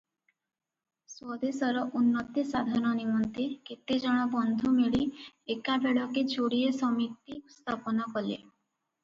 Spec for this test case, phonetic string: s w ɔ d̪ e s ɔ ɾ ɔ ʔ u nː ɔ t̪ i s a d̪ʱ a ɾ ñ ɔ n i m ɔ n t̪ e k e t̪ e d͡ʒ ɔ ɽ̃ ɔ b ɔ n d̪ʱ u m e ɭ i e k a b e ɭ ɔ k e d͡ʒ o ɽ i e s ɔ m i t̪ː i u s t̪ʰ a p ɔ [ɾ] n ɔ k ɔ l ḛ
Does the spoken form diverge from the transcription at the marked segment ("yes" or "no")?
yes